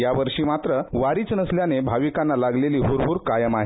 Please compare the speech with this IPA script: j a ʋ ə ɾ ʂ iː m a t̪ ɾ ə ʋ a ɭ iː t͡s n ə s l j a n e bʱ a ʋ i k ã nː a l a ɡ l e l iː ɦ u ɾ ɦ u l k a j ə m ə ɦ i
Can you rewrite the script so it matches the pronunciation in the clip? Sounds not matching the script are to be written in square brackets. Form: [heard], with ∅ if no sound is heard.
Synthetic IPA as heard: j a ʋ ə ɾ ʂ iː m a t̪ ɾ ə ʋ a [ɾ] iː t͡s n ə s l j a n e bʱ a ʋ i k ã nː a l a ɡ l e l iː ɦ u ɾ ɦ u [ɾ] k a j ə m [a] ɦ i